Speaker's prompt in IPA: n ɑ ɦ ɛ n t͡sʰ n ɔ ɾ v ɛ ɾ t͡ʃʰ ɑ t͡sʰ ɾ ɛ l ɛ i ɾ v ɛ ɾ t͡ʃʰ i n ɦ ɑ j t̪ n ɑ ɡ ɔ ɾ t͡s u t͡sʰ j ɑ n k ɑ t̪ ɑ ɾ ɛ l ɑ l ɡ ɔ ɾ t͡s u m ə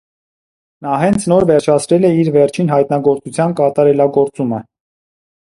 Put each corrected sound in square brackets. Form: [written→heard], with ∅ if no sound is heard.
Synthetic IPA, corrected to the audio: n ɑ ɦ ɛ n t͡sʰ n ɔ ɾ v ɛ ɾ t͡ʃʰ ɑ t͡sʰ ɾ ɛ l ɛ i ɾ v ɛ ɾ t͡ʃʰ i n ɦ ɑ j t̪ n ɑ ɡ ɔ ɾ t͡s u t͡sʰ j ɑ n k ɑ t̪ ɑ ɾ ɛ l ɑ [l→∅] ɡ ɔ ɾ t͡s u m ə